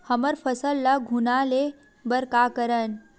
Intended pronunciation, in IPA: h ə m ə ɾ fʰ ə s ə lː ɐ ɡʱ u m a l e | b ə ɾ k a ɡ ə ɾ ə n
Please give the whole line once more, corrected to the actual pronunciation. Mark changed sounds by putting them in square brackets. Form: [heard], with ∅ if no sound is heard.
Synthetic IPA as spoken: h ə m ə ɾ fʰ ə s ə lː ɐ ɡʱ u [n] a l e | b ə ɾ k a [k] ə ɾ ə n